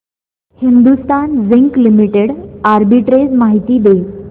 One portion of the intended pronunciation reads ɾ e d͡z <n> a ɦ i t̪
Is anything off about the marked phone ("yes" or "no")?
yes